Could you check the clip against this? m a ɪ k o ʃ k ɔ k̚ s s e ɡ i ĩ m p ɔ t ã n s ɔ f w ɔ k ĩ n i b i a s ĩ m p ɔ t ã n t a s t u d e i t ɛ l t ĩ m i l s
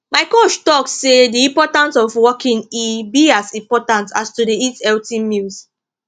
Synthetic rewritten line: m a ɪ k o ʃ t ɔ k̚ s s e d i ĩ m p ɔ t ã n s ɔ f w ɔ k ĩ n i b i a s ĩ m p ɔ t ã n t a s t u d e i t ɛ l t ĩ m i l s